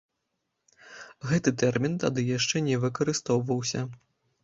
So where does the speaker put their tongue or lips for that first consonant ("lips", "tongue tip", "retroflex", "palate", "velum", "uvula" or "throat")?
velum